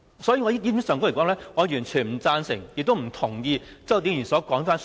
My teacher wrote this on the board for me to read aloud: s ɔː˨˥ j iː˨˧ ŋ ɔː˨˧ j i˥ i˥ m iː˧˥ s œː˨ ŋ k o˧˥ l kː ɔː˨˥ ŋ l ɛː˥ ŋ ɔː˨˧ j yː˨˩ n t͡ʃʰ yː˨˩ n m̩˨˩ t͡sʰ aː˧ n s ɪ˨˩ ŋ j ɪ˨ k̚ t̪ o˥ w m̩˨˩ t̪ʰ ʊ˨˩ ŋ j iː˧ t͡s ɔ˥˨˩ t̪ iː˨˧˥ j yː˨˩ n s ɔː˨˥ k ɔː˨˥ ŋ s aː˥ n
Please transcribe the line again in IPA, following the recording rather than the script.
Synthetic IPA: s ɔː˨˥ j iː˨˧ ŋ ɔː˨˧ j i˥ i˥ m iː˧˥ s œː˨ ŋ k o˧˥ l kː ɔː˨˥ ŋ l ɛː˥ ŋ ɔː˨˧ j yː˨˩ n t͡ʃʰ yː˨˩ n m̩˨˩ t͡s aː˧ n s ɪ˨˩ ŋ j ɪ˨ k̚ t̪ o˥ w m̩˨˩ t̪ʰ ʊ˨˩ ŋ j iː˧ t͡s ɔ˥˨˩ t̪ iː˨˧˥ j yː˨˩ n s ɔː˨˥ k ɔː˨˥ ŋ f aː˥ n

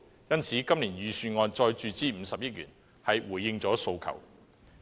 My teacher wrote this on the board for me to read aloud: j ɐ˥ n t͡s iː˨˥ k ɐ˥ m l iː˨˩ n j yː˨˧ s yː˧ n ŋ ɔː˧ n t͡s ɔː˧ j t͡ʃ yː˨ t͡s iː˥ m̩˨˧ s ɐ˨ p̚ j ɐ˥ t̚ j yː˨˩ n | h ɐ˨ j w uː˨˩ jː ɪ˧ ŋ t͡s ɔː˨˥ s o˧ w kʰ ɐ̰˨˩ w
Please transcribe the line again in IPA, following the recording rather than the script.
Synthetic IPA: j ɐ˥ n t͡sʰ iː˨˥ k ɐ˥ m l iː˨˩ n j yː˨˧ s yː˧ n ŋ ɔː˧ n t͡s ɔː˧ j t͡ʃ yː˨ t͡s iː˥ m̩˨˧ s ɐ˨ p̚ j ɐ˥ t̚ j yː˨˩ n | h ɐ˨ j w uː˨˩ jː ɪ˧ ŋ t͡s ɔː˨˥ s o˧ w kʰ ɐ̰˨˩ w

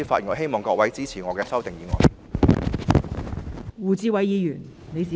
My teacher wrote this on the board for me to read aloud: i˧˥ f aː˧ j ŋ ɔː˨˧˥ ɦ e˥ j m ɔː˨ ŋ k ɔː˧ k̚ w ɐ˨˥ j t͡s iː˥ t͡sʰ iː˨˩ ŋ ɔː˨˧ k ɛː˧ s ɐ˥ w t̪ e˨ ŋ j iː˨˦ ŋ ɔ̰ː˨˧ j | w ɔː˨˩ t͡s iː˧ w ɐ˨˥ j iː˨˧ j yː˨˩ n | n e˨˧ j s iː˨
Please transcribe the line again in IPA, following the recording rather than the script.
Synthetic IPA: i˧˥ f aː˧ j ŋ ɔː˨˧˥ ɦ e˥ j m ɔː˨ ŋ k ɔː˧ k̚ w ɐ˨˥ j t͡s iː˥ t͡sʰ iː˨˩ ŋ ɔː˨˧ k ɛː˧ s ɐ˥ w t̪ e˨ ŋ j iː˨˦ ŋ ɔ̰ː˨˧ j | w uː˨˩ t͡s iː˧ w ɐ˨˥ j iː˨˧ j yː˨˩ n | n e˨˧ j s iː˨

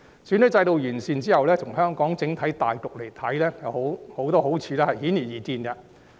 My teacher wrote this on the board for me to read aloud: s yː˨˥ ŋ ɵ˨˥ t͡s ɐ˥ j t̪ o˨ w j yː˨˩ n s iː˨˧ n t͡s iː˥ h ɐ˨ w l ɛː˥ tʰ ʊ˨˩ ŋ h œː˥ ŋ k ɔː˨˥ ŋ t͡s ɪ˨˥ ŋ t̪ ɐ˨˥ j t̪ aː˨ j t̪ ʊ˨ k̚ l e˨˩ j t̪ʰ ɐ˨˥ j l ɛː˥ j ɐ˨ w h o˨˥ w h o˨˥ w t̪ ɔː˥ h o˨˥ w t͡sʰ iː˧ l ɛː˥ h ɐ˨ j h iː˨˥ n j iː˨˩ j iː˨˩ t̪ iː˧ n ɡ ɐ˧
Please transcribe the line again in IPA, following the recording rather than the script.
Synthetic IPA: s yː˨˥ n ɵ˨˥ t͡s ɐ˧ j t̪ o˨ w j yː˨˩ n s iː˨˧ n t͡s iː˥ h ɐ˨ w l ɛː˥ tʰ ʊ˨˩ ŋ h œː˥ ŋ k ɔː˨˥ ŋ t͡s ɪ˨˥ ŋ t̪ʰ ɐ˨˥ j t̪ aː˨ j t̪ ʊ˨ k̚ l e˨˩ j t̪ʰ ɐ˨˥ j l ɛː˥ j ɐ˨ w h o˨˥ w h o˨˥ w t̪ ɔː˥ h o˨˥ w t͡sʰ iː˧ l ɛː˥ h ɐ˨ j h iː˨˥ n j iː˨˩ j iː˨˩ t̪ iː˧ n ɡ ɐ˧

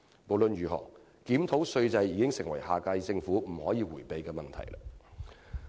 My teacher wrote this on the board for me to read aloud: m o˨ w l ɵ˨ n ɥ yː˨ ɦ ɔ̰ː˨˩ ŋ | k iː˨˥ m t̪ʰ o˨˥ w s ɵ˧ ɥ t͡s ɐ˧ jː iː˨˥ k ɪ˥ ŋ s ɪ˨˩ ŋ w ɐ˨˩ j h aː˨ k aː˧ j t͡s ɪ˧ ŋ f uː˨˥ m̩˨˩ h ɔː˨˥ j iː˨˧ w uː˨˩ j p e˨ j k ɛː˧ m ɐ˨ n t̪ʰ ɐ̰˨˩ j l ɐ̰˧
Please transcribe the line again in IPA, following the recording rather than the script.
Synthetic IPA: m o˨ w l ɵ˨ n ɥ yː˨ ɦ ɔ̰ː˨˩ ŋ | k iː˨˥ m t̪ʰ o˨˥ w s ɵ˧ ɥ t͡s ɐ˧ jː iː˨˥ k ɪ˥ ŋ s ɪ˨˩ ŋ w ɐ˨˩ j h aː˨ k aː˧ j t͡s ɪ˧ ŋ f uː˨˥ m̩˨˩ h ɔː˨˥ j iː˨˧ w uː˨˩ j p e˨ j k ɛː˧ m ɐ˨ n t̪ʰ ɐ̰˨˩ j l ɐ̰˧

